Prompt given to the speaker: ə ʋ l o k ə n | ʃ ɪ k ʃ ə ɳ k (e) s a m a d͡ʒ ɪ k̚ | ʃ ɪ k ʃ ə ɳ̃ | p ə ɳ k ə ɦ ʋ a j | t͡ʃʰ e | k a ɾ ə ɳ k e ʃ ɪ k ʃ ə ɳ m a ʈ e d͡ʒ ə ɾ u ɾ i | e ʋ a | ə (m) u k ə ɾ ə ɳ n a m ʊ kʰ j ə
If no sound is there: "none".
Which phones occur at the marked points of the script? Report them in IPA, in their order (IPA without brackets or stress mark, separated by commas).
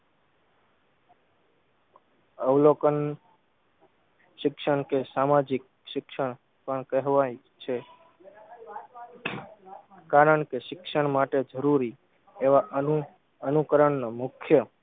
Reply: e, n